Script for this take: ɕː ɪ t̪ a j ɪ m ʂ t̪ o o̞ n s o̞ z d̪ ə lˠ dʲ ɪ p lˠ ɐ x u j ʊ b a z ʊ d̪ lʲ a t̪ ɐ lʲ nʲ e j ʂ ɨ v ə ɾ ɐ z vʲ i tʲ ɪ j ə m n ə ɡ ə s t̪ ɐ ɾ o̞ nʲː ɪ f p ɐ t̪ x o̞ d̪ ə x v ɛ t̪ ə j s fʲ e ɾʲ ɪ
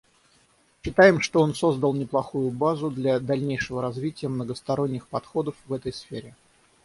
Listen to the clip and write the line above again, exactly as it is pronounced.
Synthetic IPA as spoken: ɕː ɪ t̪ a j ɪ m ʂ t̪ o o̞ n s o̞ z d̪ ə lˠ nʲ ɪ p lˠ ɐ x u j ʊ b a z ʊ d̪ lʲ a d̪ ɐ lʲ nʲ e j ʂ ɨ v ə ɾ ɐ z vʲ i tʲ ɪ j ə m n ə ɡ ə s t̪ ɐ ɾ o̞ nʲː ɪ x p ɐ t̪ x o̞ d̪ ə f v ɛ t̪ ə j s fʲ e ɾʲ ɪ